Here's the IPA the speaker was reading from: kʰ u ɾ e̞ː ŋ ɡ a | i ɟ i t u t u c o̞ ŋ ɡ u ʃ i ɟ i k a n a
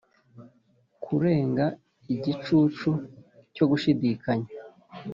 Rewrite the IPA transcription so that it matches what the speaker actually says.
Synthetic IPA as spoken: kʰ u ɾ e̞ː ŋ ɡ a | i ɟ i t͡ʃ u t͡ʃ u c o̞ ɡ u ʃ i d i k a ɲ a